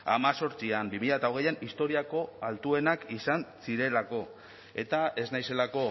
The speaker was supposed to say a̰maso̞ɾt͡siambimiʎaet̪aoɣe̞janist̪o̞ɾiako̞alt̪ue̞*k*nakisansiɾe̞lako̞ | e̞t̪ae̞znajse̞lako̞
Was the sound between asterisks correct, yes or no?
no